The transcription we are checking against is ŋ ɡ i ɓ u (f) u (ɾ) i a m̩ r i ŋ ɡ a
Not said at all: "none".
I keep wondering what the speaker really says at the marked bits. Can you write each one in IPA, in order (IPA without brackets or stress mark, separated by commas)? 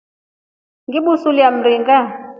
s, l